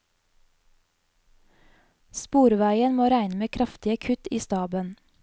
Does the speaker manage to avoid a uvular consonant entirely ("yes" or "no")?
yes